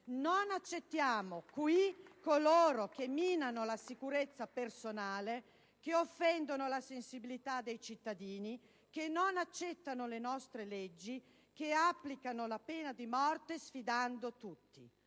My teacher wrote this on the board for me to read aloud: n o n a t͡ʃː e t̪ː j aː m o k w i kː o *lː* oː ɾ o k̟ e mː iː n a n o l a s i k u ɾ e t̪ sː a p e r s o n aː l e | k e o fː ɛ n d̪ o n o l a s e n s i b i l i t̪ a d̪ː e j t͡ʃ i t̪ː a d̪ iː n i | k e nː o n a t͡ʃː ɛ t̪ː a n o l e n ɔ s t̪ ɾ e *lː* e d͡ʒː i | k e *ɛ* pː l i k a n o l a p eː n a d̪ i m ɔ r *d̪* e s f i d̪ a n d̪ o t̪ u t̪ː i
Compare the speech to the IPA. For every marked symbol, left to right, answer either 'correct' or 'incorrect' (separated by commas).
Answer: incorrect, incorrect, incorrect, incorrect